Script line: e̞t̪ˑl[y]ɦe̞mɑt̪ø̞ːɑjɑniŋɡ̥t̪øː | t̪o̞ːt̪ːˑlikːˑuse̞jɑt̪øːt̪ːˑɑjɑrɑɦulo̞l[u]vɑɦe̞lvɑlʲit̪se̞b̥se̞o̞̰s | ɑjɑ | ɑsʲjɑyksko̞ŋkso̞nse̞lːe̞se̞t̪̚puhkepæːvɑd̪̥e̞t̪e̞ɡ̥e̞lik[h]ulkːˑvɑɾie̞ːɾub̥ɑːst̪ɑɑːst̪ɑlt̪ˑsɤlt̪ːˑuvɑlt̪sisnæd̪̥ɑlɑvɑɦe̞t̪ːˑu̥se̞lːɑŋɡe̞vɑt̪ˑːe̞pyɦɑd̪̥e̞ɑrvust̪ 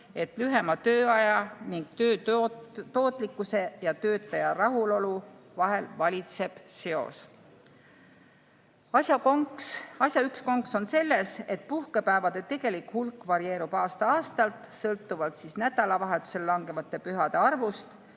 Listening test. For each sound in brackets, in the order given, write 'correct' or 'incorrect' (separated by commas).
correct, correct, correct